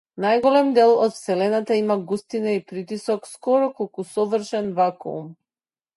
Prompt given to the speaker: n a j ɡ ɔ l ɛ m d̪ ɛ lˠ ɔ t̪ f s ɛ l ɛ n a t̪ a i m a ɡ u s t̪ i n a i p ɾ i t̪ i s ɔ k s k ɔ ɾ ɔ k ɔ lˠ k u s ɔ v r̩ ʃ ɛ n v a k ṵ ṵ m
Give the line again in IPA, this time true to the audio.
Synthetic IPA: n a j ɡ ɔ l ɛ m d̪ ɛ lˠ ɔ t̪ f s ɛ l ɛ n a t̪ a i m a ɡ u s t̪ i n a i p ɾ i t̪ i s ɔ k s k ɔ ɾ ɔ k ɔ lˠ k u s ɔ v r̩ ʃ ɛ n v a k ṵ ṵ m